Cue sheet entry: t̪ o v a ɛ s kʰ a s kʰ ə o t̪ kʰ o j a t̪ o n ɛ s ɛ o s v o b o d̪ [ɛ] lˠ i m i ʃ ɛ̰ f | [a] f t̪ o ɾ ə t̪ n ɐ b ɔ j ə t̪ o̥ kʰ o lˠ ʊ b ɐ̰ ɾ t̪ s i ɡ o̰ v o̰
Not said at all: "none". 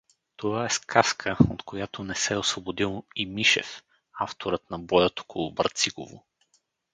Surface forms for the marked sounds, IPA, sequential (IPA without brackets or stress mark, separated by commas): i, a